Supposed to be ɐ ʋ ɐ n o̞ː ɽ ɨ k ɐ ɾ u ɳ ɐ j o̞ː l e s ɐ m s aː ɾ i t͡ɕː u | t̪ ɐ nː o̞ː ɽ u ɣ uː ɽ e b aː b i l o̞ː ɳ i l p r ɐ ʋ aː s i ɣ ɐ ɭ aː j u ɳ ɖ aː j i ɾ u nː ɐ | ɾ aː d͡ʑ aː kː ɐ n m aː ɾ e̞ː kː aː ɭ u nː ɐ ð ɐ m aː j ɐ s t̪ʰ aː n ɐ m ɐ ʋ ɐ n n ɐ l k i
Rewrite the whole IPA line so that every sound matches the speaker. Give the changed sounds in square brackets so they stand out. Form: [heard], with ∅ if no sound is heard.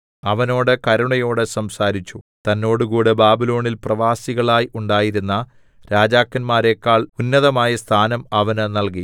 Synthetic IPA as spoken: ɐ ʋ ɐ n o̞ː ɽ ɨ k ɐ ɾ u ɳ ɐ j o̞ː [ɽ] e s ɐ m s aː ɾ i t͡ɕː u | t̪ ɐ nː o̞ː ɽ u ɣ uː ɽ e b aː b i l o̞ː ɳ i l p r ɐ ʋ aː s i ɣ ɐ ɭ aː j u ɳ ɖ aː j i ɾ u nː ɐ | ɾ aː d͡ʑ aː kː ɐ n m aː ɾ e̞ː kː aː ɭ u nː ɐ ð ɐ m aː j ɐ s t̪ʰ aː n ɐ m ɐ ʋ ɐ n n ɐ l k i